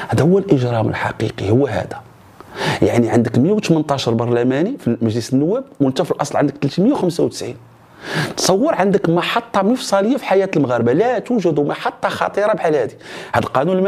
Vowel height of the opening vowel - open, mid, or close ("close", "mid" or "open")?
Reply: open